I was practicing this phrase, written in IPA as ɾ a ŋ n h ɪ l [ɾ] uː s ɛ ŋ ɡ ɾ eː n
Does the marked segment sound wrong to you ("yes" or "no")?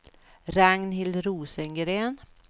no